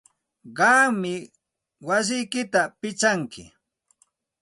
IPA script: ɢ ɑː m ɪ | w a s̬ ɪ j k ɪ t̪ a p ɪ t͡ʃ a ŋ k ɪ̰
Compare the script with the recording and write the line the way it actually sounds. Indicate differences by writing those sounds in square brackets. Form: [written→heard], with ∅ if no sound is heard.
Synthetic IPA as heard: ɢ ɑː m ɪ | w a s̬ ɪ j k ɪ t̪ a p ɪ t͡ʃ a ŋ k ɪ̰